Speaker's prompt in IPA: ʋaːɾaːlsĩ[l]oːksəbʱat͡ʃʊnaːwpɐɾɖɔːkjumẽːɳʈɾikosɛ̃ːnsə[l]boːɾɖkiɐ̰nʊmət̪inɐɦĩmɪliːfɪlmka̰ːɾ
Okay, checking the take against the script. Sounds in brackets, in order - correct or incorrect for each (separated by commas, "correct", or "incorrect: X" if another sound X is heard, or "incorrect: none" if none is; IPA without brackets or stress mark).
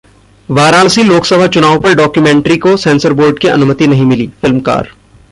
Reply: correct, incorrect: ɾ